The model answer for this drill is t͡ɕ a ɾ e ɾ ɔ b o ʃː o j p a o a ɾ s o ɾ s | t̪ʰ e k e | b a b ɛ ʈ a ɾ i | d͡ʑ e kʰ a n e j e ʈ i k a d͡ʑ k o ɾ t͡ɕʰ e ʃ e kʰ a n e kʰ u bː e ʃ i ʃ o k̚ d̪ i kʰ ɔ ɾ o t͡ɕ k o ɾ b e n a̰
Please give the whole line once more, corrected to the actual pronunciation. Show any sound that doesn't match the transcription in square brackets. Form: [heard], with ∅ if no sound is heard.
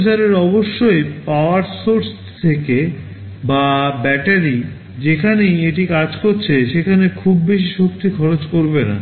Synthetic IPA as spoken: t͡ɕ a ɾ e ɾ ɔ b o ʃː o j p a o a ɾ s o ɾ s | t̪ʰ e k e | b a b ɛ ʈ a ɾ i | d͡ʑ e kʰ a n e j e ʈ i k a d͡ʑ k o ɾ t͡ɕʰ e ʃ e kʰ a n e kʰ u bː e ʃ i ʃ o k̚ [t̪] i kʰ ɔ ɾ o t͡ɕ k o ɾ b e n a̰